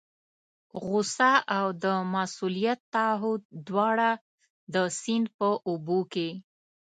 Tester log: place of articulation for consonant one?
velar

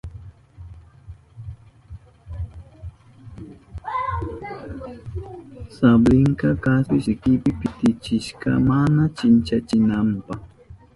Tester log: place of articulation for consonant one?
alveolar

